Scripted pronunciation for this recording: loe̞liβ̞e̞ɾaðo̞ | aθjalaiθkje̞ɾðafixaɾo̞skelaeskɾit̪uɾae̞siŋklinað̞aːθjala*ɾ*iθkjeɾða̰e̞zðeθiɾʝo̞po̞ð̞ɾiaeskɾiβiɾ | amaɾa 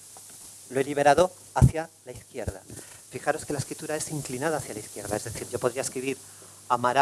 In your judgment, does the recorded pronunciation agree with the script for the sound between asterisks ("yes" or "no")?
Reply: no